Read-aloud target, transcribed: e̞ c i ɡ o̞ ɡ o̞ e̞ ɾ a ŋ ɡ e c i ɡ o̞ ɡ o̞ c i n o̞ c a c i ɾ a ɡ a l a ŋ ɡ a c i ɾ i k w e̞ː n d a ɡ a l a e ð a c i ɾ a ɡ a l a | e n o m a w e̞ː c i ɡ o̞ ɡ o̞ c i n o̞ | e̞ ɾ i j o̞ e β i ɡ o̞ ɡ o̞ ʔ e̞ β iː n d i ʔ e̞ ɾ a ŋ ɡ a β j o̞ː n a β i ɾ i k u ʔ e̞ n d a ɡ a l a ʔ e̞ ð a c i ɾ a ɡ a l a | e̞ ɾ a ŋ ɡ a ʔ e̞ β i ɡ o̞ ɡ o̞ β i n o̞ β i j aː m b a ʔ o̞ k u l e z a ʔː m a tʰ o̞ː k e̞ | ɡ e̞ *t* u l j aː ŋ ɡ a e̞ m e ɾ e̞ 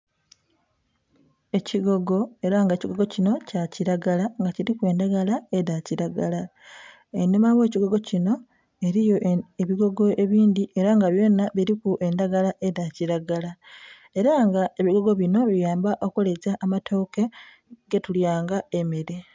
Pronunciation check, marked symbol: correct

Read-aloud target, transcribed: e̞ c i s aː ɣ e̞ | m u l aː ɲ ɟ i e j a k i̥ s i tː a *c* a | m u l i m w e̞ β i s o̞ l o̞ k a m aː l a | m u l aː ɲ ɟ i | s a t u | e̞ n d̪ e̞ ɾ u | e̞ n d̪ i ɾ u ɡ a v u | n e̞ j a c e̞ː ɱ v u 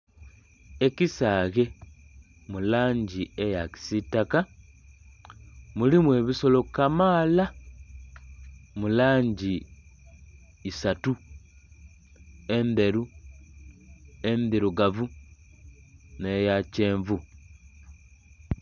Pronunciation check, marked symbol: incorrect: k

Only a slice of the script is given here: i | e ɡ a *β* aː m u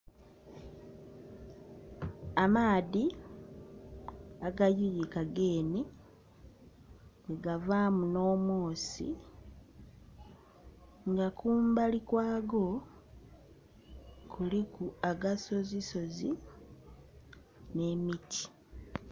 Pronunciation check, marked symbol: incorrect: v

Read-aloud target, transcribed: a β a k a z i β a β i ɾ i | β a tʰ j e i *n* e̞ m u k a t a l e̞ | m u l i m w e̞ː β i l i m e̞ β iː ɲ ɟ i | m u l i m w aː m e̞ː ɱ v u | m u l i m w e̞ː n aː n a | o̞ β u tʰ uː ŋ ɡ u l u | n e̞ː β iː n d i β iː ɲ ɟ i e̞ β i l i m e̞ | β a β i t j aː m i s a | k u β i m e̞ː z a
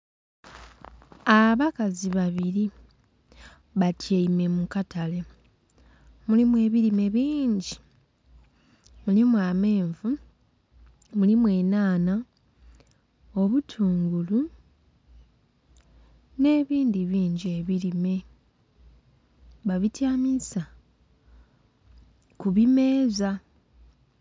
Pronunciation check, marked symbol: incorrect: m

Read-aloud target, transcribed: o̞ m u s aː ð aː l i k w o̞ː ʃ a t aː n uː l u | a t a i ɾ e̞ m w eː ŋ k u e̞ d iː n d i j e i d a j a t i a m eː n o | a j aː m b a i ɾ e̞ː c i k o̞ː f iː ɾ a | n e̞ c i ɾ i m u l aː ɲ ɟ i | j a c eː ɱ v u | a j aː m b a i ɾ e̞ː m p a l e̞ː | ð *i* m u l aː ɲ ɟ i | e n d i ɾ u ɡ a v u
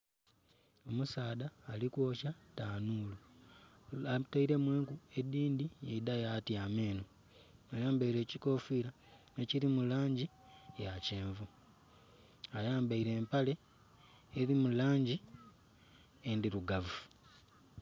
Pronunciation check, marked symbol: correct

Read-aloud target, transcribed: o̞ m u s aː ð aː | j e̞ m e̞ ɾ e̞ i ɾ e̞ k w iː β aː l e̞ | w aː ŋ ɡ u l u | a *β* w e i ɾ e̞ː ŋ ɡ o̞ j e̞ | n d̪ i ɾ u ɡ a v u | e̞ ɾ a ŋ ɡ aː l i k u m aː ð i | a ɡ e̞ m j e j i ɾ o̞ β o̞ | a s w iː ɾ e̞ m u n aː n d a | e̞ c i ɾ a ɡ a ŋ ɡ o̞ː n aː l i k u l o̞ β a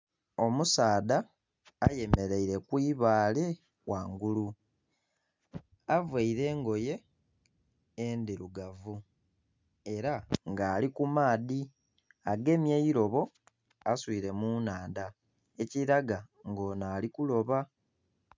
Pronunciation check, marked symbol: incorrect: v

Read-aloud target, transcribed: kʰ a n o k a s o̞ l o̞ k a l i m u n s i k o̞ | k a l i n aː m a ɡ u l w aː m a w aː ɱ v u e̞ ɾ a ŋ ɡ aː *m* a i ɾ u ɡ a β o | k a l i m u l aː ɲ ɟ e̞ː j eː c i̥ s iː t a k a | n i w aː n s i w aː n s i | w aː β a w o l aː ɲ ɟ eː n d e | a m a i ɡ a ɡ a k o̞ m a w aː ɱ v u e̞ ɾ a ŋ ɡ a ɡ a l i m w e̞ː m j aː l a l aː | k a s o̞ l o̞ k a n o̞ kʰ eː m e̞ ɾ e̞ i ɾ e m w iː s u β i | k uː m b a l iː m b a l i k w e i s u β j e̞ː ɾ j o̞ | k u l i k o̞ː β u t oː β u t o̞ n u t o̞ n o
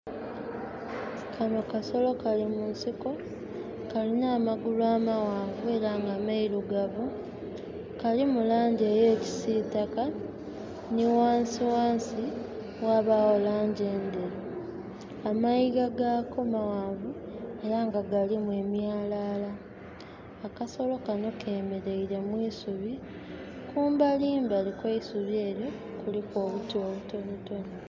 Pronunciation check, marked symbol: correct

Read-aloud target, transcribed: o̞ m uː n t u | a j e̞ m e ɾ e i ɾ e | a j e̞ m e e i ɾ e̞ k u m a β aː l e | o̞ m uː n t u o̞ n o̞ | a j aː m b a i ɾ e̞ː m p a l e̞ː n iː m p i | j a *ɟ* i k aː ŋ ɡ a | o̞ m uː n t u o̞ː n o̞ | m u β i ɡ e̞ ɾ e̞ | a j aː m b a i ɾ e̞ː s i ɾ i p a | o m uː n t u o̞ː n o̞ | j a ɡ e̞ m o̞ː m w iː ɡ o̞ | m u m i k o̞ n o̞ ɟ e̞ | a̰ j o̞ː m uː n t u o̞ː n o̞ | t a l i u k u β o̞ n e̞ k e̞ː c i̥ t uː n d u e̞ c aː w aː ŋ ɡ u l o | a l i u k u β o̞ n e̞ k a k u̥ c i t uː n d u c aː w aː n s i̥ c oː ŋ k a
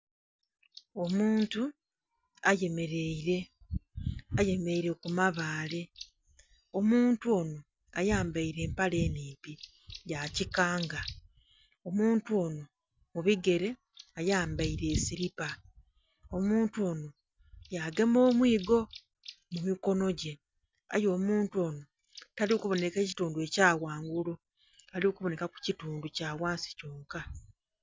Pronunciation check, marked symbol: incorrect: c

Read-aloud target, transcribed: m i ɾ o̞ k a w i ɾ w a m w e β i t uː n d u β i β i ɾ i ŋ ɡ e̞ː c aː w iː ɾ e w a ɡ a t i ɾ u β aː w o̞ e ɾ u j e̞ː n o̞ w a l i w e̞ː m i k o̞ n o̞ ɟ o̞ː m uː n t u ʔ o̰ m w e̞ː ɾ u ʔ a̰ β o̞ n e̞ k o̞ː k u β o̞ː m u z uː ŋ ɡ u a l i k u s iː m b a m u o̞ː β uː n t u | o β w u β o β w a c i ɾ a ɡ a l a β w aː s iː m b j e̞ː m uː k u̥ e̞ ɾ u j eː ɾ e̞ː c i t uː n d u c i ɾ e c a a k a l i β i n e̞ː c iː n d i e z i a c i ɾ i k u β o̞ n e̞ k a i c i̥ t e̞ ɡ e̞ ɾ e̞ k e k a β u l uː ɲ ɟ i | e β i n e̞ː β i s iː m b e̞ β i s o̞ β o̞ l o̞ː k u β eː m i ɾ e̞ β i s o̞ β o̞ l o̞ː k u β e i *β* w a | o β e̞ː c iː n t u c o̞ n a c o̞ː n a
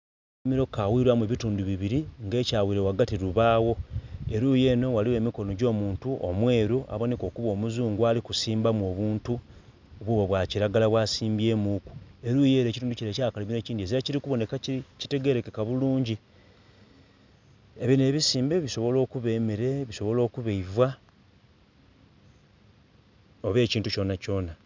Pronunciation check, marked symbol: incorrect: v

